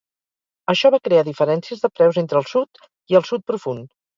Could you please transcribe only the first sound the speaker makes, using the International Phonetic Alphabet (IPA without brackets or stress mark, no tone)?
ə